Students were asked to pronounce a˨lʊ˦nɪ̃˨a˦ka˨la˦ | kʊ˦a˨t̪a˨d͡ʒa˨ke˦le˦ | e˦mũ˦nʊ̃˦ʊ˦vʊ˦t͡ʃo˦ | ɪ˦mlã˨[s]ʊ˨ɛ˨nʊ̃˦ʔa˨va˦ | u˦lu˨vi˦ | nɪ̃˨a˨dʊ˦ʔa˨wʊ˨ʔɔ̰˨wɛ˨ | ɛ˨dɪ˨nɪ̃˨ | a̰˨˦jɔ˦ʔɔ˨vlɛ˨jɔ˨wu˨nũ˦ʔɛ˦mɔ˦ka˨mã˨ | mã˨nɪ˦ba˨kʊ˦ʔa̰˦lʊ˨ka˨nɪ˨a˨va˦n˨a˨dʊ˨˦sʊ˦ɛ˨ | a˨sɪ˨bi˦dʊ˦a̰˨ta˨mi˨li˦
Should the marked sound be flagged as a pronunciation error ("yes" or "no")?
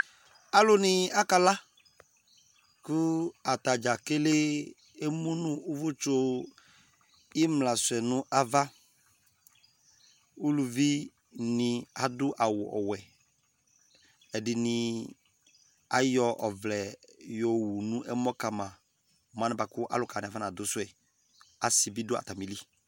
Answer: no